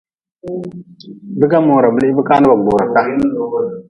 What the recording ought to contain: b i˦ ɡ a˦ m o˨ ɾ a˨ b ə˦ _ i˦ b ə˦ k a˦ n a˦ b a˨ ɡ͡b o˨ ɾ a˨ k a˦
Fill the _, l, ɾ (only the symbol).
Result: l